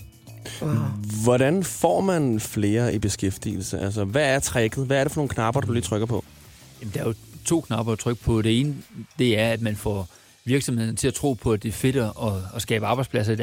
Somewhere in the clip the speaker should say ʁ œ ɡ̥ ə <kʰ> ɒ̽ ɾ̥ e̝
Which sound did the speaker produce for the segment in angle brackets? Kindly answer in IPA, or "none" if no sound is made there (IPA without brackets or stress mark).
pʰ